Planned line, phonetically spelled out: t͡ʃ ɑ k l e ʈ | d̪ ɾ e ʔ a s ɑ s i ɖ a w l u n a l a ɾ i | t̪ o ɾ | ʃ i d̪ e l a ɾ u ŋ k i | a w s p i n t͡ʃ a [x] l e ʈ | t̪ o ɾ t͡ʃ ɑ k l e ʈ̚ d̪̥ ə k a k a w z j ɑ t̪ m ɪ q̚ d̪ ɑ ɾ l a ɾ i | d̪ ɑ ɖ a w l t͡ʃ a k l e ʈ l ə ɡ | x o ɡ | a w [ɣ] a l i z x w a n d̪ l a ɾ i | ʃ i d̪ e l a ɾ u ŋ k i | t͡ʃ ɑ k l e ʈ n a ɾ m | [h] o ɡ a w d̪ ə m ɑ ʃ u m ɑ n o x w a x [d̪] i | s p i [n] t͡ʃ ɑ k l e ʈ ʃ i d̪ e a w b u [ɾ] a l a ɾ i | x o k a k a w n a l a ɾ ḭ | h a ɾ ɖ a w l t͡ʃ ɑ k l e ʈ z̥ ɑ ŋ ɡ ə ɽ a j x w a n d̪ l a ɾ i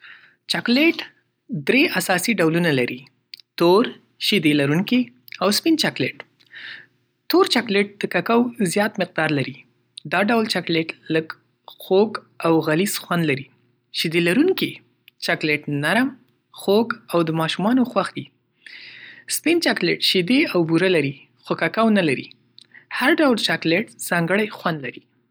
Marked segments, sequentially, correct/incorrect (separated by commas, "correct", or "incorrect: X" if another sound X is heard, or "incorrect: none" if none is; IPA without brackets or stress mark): incorrect: k, correct, incorrect: x, correct, correct, correct